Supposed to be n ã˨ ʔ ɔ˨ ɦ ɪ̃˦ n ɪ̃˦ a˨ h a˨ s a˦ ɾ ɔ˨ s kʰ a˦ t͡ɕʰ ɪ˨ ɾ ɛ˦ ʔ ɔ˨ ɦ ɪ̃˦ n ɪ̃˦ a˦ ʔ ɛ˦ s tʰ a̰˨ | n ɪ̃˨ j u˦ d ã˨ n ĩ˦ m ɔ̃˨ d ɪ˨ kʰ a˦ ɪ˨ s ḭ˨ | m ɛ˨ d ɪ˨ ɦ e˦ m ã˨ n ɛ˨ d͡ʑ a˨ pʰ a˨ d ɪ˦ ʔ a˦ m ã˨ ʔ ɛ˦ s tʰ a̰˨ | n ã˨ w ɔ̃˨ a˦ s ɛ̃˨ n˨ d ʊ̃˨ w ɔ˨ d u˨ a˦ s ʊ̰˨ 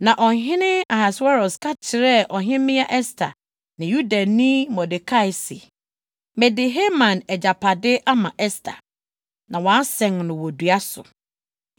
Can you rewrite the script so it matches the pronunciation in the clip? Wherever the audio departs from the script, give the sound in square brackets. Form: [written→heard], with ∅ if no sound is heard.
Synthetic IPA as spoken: n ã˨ ʔ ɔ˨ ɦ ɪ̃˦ n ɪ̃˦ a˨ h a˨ s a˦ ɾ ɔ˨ s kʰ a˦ t͡ɕʰ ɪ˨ ɾ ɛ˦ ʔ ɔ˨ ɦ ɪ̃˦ [n→m] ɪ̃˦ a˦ ʔ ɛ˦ s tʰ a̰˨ | n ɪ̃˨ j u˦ d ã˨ n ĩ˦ m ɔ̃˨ d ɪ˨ kʰ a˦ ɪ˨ s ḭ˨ | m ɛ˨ d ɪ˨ ɦ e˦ m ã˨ n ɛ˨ d͡ʑ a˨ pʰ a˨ d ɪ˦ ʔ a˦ m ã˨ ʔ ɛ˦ s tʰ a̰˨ | n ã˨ w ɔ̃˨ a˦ s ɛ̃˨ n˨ [d→n] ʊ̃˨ w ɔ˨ d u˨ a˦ s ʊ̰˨